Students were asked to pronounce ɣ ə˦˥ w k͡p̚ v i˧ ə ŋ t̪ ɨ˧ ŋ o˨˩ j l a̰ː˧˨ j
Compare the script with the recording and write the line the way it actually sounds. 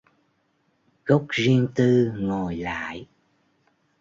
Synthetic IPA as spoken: ɣ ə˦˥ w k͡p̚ z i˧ ə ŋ t̪ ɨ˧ ŋ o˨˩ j l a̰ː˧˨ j